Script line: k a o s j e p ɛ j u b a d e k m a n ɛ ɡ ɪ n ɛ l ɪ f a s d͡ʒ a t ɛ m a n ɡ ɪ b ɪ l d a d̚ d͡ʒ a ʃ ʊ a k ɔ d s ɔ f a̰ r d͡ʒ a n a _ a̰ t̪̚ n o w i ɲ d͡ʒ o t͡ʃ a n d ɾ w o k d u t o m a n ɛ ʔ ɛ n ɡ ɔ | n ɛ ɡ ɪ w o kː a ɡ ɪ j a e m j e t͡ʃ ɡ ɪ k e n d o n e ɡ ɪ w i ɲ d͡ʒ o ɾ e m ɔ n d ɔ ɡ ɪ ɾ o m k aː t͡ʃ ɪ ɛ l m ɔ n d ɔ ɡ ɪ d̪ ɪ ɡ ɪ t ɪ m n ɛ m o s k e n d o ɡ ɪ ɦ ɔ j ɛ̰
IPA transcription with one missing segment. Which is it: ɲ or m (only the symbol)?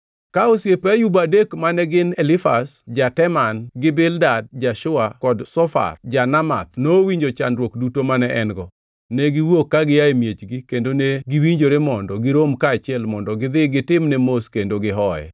m